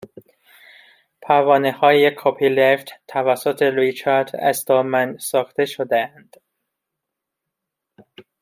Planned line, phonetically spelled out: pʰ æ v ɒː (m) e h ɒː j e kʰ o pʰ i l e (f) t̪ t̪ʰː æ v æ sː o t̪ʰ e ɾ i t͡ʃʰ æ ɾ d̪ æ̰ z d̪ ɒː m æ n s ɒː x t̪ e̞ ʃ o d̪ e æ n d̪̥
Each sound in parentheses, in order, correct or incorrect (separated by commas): incorrect, correct